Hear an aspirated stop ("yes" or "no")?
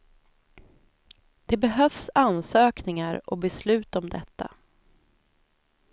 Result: no